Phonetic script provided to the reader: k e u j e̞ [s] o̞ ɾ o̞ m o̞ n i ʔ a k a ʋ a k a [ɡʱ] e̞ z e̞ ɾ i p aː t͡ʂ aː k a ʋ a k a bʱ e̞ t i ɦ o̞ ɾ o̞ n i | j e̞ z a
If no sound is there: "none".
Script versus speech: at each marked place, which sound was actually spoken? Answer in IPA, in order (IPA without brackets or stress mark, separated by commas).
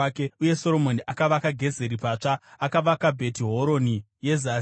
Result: s, ɡʱ